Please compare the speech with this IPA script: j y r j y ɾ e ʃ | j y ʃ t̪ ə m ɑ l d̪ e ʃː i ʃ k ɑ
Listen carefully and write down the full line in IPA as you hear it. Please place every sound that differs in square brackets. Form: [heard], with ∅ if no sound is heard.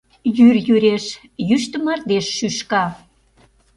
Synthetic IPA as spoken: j y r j y ɾ e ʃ | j y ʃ t̪ ə m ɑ [r] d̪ e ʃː [y] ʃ k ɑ

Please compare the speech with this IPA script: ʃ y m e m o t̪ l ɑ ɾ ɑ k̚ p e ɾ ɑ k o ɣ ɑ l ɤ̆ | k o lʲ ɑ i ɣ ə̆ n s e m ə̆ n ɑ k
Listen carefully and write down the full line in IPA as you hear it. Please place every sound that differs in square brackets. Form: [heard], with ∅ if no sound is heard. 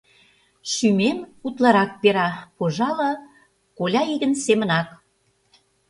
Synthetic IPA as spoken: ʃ y m e m [u] t̪ l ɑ ɾ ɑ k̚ p e ɾ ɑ [p] o [ʒ] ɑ l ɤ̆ | k o lʲ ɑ i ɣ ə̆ n s e m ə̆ n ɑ k

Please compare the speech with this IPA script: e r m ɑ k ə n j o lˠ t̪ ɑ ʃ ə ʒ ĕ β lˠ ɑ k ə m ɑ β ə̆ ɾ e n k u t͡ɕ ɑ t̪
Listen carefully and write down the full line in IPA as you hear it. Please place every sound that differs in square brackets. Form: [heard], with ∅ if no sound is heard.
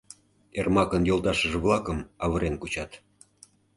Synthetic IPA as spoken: e r m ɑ k ə n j o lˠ t̪ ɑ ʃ ə ʒ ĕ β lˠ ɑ k ə m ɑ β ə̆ ɾ e n k u t͡ɕ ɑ t̪

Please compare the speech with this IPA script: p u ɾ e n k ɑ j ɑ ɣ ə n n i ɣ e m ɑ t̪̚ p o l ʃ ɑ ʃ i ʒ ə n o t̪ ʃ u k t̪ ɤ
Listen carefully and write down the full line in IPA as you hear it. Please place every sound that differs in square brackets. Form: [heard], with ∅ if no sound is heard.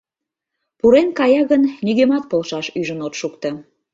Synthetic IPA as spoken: p u ɾ e n k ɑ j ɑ ɣ ə n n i ɣ e m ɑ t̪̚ p o l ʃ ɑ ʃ [y] ʒ ə n o t̪ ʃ u k t̪ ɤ

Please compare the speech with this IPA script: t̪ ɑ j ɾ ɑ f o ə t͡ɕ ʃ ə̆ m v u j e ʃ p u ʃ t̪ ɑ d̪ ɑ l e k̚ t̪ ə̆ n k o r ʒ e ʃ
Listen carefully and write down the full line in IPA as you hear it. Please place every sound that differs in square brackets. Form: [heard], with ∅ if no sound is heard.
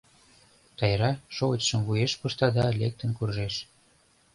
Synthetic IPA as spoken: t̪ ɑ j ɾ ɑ [ʃ] o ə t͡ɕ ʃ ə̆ m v u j e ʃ p u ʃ t̪ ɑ d̪ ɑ l e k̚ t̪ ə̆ n k [u] r ʒ e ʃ

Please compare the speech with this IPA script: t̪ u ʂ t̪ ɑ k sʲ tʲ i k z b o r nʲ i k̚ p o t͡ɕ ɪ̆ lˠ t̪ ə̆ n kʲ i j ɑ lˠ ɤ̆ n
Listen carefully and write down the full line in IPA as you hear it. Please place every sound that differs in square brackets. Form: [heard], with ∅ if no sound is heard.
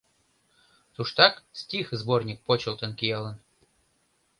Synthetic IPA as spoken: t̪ u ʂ t̪ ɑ k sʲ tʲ i [x] z b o r nʲ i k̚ p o t͡ɕ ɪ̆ lˠ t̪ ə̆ n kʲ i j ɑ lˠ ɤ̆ n

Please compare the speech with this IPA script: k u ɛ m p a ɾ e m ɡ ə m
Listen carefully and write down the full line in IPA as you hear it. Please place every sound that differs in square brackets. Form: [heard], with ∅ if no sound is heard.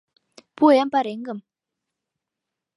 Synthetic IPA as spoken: [p] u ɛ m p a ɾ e [ŋ] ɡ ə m

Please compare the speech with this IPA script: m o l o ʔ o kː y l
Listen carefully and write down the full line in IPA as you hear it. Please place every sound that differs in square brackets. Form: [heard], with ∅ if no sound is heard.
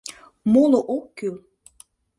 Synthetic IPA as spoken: m o l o ʔ o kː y l

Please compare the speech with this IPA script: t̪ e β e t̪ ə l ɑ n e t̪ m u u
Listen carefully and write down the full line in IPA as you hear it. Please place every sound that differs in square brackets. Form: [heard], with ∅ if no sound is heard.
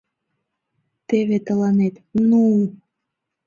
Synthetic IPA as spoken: t̪ e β e t̪ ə l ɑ n e t̪ [n] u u

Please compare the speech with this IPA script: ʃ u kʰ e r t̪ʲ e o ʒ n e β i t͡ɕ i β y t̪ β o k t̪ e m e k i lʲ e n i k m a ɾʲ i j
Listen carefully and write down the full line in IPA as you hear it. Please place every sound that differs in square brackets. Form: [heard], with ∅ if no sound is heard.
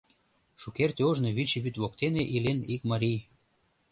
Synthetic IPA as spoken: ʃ u [k] e r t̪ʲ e o ʒ n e β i t͡ɕ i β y t̪ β o k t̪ e [n] e [ʔ] i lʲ e n i k m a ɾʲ i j

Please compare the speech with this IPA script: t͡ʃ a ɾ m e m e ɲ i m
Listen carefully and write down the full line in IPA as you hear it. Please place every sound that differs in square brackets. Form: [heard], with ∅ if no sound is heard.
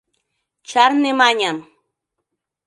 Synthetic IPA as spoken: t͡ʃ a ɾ [n] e m [a] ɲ [a] m

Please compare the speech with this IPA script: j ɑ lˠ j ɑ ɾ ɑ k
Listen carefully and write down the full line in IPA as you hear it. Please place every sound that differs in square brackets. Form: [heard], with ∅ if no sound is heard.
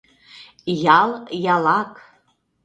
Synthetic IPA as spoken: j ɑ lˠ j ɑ [l] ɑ k

